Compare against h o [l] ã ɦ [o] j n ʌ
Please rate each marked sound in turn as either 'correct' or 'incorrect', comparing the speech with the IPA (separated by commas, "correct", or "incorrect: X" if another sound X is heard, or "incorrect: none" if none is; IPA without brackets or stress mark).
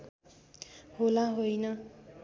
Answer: correct, correct